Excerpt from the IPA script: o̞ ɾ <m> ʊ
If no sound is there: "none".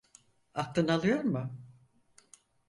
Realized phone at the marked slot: m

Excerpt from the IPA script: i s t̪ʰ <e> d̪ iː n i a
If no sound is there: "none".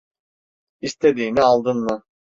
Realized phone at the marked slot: e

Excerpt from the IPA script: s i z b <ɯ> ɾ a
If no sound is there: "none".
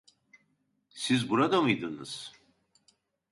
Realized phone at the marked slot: u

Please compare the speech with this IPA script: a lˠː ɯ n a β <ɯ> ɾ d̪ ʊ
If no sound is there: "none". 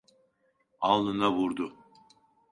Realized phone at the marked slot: u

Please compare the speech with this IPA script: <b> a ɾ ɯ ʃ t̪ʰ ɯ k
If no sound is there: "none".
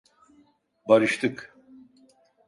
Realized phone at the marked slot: b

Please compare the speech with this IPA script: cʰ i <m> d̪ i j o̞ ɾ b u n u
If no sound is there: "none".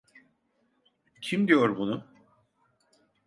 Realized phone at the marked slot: m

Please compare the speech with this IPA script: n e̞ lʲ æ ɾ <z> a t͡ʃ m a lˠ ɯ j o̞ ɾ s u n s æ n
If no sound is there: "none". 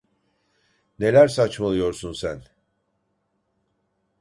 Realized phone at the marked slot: s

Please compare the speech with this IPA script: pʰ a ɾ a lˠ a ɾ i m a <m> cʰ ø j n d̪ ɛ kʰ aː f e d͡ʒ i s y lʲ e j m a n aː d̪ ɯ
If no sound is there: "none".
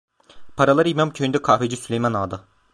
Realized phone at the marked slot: m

